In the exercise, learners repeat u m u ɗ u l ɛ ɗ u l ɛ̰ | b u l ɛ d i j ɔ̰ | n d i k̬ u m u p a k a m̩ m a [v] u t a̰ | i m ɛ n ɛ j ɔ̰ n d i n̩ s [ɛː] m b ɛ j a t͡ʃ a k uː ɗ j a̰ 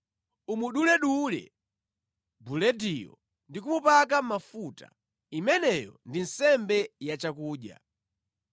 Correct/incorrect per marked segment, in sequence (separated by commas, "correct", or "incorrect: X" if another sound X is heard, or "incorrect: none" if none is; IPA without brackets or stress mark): incorrect: f, incorrect: ɛ